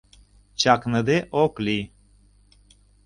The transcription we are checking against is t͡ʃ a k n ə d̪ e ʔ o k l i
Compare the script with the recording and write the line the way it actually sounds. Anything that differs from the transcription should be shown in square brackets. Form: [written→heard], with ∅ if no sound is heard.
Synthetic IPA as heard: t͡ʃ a k n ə d̪ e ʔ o k l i